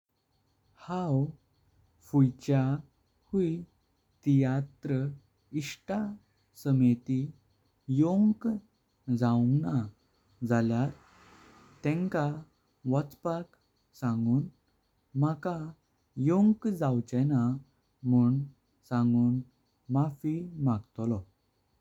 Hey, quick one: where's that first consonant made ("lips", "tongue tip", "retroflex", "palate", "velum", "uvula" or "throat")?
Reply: throat